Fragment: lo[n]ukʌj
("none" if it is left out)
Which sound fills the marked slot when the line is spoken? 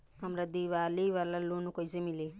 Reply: n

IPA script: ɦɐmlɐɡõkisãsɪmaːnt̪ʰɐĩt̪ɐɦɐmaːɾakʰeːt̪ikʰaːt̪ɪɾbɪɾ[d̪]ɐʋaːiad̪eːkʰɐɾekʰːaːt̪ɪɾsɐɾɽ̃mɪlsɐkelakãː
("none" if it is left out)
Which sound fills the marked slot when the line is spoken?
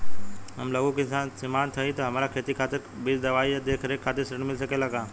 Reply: d̪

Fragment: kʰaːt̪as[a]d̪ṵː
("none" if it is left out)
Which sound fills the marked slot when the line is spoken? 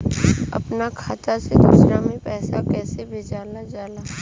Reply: e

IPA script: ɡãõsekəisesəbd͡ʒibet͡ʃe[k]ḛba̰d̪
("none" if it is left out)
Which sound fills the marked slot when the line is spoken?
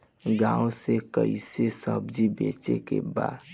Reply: k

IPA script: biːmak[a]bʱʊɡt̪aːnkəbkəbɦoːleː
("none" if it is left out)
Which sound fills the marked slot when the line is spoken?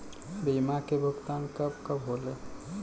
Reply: e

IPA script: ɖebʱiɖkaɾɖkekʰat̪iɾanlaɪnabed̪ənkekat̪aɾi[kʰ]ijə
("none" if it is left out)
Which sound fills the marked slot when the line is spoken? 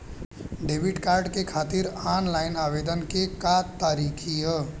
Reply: kʰ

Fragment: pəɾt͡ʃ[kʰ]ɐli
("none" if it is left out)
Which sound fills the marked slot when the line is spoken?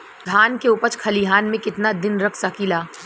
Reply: kʰ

